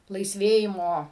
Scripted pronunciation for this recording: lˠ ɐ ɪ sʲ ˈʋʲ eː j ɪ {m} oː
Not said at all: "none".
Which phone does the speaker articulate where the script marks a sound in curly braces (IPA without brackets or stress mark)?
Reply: m